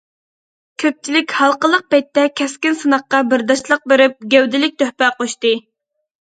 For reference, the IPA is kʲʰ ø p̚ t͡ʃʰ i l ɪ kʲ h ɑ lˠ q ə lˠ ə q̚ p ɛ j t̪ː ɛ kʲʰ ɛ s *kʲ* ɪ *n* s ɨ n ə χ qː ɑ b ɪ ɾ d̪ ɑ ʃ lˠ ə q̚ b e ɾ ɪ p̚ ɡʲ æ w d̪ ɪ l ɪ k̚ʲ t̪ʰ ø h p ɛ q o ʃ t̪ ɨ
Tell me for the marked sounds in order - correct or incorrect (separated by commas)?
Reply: correct, correct